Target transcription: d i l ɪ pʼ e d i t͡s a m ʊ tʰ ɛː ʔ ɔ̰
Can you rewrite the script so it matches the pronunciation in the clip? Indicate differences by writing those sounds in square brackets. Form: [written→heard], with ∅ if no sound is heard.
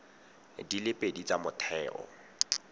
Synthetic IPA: d i l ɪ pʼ e d i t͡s a m ʊ tʰ ɛː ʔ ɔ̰